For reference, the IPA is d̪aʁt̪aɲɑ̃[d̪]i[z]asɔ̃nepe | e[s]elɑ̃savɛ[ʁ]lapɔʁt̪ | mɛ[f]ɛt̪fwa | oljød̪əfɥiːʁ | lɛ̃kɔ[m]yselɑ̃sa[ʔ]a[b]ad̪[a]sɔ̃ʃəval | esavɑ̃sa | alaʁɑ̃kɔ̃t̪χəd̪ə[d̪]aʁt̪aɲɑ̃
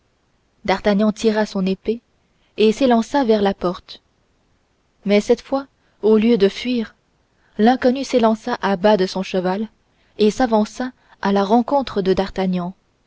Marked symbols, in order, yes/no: no, no, yes, yes, no, no, yes, yes, no, yes

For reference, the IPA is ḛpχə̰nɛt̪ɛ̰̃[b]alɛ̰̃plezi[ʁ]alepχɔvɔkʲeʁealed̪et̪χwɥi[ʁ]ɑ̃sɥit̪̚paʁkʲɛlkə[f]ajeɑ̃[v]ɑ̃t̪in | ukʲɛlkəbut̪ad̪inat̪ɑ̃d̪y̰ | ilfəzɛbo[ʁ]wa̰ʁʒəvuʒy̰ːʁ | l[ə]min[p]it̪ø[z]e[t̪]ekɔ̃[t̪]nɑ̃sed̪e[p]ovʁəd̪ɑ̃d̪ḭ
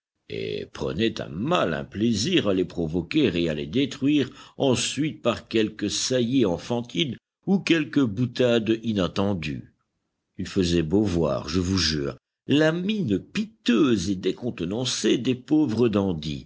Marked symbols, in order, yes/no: no, yes, yes, no, no, no, no, yes, yes, no, yes, yes

